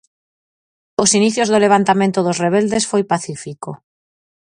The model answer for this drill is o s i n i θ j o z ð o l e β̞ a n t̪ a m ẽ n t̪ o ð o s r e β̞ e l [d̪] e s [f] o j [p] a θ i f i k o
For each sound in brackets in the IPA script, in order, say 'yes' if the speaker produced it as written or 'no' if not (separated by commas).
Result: yes, yes, yes